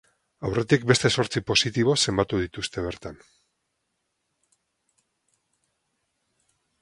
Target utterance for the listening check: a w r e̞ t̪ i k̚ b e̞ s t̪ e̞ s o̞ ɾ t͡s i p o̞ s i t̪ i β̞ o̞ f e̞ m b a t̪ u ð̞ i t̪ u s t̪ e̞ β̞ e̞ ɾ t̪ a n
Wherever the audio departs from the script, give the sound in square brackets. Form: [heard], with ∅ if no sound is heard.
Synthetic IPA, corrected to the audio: a w r e̞ t̪ i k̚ b e̞ s t̪ e̞ s o̞ ɾ t͡s i p o̞ s i t̪ i β̞ o̞ [s] e̞ m b a t̪ u ð̞ i t̪ u s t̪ e̞ β̞ e̞ ɾ t̪ a n